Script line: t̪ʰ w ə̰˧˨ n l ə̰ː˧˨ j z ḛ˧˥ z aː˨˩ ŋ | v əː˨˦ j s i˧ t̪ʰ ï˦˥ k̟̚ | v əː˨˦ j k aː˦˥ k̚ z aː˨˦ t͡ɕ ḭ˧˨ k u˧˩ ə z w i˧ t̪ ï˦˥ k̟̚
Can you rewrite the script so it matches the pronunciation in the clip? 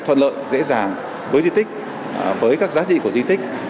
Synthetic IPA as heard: t̪ʰ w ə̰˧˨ n l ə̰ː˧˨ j z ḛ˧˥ z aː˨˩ ŋ | v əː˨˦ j z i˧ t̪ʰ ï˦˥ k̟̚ | v əː˨˦ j k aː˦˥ k̚ z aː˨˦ t͡ɕ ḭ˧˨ k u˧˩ ə z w i˧ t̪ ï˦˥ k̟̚